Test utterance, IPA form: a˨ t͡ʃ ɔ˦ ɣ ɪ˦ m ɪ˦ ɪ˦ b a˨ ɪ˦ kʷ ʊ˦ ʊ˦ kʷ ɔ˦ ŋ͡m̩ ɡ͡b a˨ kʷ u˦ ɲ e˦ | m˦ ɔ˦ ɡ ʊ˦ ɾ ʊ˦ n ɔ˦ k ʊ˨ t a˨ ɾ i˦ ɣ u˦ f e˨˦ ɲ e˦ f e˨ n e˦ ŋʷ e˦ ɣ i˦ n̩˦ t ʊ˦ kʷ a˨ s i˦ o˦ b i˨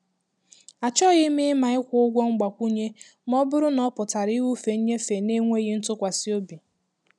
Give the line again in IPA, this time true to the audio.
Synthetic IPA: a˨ t͡ʃ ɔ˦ ɣ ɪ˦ m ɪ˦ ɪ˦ m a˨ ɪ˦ kʷ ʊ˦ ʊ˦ ɡʷ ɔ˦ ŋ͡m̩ ɡ͡b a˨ kʷ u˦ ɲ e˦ | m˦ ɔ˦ b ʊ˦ ɾ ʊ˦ n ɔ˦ p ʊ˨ t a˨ ɾ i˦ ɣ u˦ f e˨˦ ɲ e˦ f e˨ n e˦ ŋʷ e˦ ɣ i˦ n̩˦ t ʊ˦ kʷ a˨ s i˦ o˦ b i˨